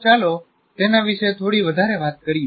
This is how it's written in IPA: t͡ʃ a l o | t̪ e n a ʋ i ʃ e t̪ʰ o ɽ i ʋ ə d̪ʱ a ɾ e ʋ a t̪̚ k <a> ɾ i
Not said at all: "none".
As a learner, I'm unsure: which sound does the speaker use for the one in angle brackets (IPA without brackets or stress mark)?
ə